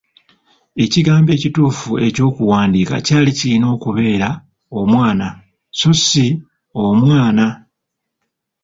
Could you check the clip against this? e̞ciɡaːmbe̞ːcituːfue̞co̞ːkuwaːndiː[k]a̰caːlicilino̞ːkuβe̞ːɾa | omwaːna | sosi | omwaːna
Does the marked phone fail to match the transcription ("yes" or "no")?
no